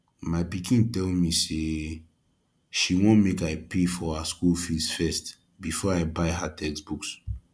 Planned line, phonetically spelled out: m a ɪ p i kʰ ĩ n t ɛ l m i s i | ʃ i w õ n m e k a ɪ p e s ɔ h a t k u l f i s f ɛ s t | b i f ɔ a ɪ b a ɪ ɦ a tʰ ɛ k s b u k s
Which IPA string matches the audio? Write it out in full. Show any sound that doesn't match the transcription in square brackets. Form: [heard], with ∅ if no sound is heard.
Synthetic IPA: m a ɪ p i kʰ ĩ n t ɛ l m i s [e] | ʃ i w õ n m e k a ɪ p e [f] ɔ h a [s] k u l f i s f ɛ s t | b i f ɔ a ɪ b a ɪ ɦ a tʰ ɛ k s b u k s